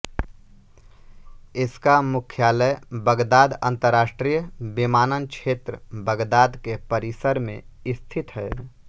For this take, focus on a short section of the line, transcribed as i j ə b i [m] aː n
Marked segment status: correct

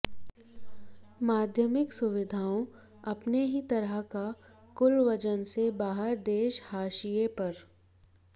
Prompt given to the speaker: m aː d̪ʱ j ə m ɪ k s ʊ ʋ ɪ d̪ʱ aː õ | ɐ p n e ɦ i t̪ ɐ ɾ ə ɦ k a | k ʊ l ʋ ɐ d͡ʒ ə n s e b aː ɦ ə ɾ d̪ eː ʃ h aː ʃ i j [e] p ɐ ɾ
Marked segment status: correct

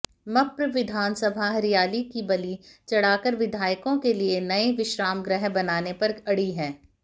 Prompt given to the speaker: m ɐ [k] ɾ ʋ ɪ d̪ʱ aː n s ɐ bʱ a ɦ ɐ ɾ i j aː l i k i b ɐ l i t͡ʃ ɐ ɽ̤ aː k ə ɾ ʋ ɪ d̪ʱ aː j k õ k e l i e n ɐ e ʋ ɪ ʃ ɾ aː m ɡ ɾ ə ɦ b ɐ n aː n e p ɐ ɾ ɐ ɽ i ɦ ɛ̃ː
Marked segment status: incorrect: p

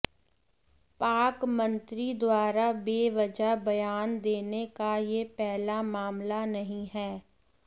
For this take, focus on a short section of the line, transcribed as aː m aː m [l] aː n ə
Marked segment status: correct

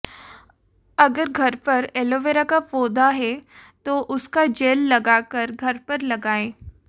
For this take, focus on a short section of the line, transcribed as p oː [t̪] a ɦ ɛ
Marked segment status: incorrect: d̪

